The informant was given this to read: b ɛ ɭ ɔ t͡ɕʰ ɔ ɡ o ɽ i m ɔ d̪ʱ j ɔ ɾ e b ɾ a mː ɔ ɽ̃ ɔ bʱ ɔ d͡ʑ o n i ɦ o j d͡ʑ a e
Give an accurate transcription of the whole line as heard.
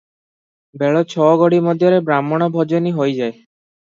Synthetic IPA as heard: b ɛ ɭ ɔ t͡ɕʰ ɔ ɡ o ɽ i m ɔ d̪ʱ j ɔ ɾ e b ɾ a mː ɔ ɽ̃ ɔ bʱ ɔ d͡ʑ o n i ɦ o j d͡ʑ a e